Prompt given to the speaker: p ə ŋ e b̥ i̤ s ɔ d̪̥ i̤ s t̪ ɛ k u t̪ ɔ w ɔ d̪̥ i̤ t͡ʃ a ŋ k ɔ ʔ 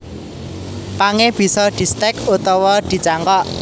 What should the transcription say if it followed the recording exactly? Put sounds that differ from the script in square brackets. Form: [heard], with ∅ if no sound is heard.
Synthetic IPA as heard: p [a] ŋ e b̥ i̤ s ɔ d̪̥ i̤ s t̪ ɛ k u t̪ ɔ w ɔ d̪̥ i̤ t͡ʃ a ŋ k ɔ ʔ